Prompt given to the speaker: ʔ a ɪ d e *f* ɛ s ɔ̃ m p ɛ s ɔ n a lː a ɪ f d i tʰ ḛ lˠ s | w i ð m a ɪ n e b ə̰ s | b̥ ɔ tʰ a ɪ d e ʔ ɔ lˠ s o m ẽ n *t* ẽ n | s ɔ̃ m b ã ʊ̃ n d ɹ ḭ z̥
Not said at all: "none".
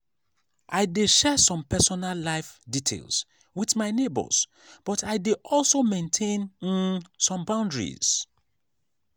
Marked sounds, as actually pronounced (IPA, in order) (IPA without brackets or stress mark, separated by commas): ʃ, tʰ